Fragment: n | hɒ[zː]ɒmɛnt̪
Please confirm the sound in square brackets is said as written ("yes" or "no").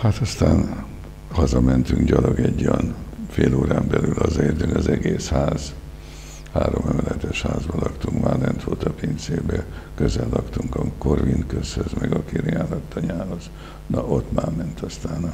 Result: no